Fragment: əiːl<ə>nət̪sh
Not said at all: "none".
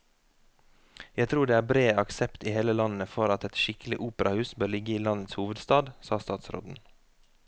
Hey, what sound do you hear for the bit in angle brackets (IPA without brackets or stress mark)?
ɑ